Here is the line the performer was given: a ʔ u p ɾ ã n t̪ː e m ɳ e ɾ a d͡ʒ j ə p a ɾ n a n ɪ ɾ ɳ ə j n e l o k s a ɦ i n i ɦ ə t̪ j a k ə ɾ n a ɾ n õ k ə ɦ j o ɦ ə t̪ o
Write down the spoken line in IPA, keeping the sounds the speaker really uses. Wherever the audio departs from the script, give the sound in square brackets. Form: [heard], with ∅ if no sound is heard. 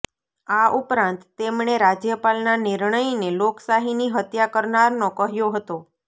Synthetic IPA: a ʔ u p ɾ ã n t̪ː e m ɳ e ɾ a d͡ʒ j ə p a [l] n a n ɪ ɾ ɳ ə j n e l o k s a ɦ i n i ɦ ə t̪ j a k ə ɾ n a ɾ n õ k ə ɦ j o ɦ ə t̪ o